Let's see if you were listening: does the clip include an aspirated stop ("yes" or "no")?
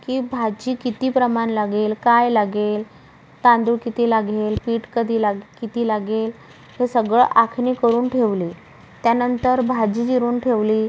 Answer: yes